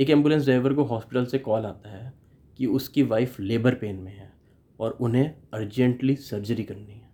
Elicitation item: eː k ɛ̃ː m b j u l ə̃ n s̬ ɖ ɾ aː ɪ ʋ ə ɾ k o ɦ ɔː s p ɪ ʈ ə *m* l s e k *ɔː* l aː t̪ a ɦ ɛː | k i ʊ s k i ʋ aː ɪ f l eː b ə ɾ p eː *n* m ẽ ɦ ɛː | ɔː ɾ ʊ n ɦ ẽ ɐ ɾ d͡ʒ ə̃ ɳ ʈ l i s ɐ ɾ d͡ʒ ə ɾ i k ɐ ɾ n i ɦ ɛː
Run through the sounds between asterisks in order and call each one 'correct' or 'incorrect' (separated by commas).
incorrect, correct, correct